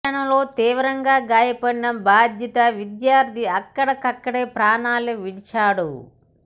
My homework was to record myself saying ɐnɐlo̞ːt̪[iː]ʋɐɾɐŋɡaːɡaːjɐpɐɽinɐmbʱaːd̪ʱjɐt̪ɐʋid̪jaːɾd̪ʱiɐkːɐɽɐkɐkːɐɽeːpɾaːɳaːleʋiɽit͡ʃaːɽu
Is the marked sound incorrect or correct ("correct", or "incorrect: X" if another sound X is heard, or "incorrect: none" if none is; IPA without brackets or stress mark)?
correct